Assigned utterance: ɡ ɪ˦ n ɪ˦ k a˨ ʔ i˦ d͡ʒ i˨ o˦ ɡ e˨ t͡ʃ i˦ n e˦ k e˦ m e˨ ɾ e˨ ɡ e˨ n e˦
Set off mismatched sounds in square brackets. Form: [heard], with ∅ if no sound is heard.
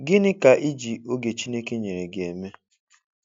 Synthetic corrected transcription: ɡ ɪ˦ n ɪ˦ k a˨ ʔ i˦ d͡ʒ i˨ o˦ ɡ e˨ t͡ʃ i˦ n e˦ k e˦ [ɲ] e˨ ɾ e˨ ɡ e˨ [m] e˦